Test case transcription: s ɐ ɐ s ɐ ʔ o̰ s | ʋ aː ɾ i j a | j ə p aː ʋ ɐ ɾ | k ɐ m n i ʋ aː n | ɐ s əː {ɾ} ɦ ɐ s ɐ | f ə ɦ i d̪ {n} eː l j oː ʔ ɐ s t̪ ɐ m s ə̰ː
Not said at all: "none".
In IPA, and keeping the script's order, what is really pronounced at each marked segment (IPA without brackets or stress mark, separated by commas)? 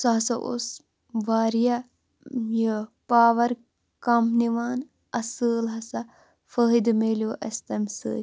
l, m